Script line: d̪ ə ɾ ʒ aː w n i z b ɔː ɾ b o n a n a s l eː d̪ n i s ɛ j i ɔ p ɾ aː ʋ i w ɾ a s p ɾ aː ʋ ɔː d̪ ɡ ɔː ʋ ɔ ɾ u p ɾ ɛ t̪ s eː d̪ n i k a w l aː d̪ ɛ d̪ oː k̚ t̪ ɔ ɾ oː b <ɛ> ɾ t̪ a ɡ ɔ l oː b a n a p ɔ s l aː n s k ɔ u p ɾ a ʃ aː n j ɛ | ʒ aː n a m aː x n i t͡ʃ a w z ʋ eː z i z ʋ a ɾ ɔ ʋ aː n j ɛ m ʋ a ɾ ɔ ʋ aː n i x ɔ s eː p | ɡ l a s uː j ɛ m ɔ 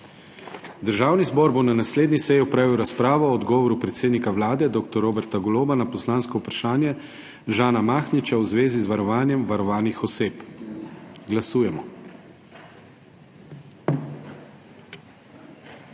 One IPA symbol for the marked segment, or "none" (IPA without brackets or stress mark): ɛ